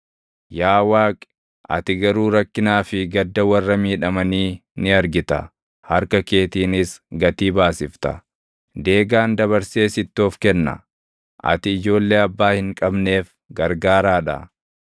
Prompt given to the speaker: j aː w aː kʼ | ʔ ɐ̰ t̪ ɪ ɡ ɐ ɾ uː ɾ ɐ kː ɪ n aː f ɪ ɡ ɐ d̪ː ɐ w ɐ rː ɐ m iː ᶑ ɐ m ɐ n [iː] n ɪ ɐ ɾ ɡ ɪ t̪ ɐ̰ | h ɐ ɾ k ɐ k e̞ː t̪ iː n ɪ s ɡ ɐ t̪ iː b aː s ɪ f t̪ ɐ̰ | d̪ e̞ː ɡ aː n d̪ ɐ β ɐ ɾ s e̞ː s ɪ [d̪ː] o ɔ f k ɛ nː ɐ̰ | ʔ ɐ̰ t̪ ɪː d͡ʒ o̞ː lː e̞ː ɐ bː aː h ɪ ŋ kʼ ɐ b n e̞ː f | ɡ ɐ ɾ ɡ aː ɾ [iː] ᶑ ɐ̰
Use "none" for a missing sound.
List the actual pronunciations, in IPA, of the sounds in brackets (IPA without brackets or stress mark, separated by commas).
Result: iː, t̪ː, aː